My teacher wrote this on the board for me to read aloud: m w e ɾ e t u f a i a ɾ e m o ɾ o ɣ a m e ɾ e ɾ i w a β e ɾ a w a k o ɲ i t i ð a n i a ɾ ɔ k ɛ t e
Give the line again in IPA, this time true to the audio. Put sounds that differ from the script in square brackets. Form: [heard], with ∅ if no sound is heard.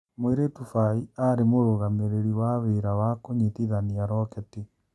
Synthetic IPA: m w e ɾ e t u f a i a ɾ e m o ɾ o ɣ a m e ɾ e ɾ i w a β e ɾ a w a k o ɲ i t i ð a n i a ɾ ɔ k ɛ t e

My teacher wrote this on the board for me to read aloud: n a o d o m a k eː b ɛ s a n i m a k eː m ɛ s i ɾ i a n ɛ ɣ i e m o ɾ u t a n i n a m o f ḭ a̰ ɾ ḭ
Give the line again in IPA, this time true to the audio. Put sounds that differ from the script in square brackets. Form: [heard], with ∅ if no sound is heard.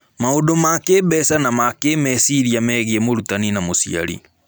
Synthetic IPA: [m] a o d o m a k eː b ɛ s a n [a] m a k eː m ɛ s i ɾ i a [m] ɛ ɣ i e m o ɾ u t a n i n a m o [s] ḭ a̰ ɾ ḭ

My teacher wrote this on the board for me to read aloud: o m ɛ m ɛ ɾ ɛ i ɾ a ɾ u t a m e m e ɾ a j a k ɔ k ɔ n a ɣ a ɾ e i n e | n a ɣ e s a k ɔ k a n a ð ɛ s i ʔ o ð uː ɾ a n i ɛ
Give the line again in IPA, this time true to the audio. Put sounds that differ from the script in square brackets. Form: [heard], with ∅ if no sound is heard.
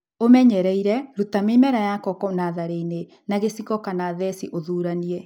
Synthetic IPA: o m ɛ [ɲ] ɛ ɾ ɛ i ɾ [ɛ] ɾ u t a m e m [ɛ] ɾ a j a k ɔ k ɔ n a [ð] a ɾ e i n e | n a ɣ e s [i] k ɔ k a n a ð ɛ s i ʔ o ð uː ɾ a n i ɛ

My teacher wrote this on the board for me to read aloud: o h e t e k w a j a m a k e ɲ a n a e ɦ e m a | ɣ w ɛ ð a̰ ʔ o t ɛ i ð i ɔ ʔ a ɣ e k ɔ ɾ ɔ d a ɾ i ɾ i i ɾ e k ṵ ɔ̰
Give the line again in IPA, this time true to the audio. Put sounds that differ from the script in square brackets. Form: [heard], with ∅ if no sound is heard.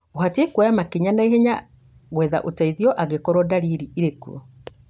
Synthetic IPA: o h [a] t e k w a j a m a k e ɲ a n a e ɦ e [ɲ] a | ɣ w ɛ ð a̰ ʔ o t [a] i ð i ɔ ʔ a ɣ e k ɔ ɾ ɔ d a ɾ i ɾ i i ɾ e k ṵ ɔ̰

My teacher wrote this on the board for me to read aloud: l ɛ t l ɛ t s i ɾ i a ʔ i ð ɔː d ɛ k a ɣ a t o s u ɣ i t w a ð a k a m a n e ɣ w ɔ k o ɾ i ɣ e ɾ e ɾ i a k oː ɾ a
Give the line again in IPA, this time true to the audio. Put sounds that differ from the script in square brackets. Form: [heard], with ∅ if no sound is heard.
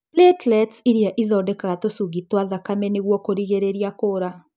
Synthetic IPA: l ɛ t l ɛ t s i ɾ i a ʔ i ð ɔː d ɛ k a ɣ a t o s u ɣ i t w a ð a k a m [ɛ] n e ɣ w ɔ k o ɾ i ɣ e ɾ e ɾ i a k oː ɾ a

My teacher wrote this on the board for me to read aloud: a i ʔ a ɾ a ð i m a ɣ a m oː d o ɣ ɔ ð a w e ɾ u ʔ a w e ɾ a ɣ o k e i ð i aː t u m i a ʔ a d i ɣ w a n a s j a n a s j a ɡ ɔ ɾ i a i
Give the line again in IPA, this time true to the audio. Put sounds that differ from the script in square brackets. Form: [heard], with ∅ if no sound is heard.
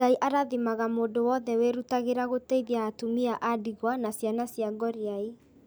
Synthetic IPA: a i ʔ a ɾ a ð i m a ɣ a m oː d o [w] ɔ ð [ɛ] w e ɾ u [t] a [ɣ] e ɾ a ɣ o [t] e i ð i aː t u m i a ʔ a d i ɣ w a n a s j a n a s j a ɡ ɔ ɾ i a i

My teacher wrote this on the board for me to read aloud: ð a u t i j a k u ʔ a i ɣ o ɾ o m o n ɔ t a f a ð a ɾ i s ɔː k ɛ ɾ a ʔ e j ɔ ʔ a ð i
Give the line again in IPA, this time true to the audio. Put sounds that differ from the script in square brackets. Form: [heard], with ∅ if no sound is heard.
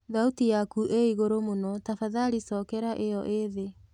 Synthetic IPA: ð a u t i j a k u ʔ [e] i ɣ o ɾ o m o n ɔ t a f a ð a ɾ i s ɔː k ɛ ɾ a ʔ e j ɔ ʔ [e] ð [e]

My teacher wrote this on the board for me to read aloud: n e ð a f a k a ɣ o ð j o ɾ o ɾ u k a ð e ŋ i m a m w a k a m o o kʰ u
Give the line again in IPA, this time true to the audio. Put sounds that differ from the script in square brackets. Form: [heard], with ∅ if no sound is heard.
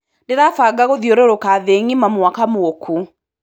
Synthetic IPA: n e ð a f a [ɡ] a ɣ o ð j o ɾ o ɾ [o] k a ð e ŋ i m a m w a k a m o o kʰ u

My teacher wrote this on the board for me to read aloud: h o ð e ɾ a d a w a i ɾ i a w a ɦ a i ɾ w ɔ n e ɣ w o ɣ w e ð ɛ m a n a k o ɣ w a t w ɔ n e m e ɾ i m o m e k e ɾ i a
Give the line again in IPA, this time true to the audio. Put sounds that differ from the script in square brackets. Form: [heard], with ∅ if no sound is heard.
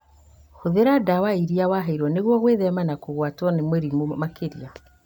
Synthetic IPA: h o ð e ɾ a d a w a i ɾ i a w a ɦ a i ɾ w ɔ n e ɣ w [ɔ] ɣ w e ð ɛ m a n a k o ɣ w a t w ɔ n e m e ɾ i m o m [a] k e ɾ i a

